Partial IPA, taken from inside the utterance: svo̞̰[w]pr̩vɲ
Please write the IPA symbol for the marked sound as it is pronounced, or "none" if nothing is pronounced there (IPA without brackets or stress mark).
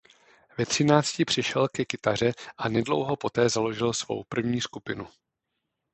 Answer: w